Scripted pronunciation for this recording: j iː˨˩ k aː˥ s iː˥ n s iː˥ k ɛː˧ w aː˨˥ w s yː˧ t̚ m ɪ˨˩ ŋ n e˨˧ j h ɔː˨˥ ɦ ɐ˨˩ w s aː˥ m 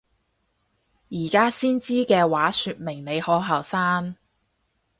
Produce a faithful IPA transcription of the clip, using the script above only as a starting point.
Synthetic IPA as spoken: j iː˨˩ k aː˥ s iː˥ n t͡s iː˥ k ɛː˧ w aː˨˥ s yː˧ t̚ m ɪ˨˩ ŋ n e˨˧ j h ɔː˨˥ ɦ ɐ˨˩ w s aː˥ n